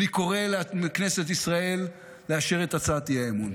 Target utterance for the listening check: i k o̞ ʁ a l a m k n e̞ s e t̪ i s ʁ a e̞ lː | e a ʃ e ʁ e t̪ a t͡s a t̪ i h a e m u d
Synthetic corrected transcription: i k o̞ ʁ e l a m k n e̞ s e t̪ i s ʁ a e̞ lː | e a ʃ e ʁ e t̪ a t͡s a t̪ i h a e m u n